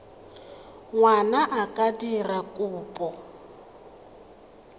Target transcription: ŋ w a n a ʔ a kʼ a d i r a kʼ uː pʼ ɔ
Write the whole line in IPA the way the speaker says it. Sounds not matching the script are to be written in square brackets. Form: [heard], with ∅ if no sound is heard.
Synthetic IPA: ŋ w a n a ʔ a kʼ a d i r a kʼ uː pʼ ɔ